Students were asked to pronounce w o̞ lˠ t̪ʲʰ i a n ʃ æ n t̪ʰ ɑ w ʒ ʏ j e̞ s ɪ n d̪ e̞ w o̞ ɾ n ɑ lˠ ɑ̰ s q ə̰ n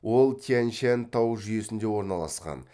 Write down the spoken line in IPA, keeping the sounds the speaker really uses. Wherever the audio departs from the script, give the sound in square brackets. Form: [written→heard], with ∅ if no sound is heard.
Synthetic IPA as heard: w o̞ lˠ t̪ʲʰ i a n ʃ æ n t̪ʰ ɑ w ʒ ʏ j e̞ s ɪ n d̪ e̞ w o̞ ɾ n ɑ lˠ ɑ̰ s q [ə̰→ɑ̰] n